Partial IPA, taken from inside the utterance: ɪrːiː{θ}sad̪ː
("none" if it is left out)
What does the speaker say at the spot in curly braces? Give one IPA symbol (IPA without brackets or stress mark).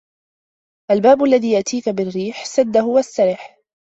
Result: ħ